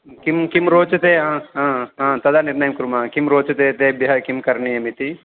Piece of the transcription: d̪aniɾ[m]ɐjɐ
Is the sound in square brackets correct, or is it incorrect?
incorrect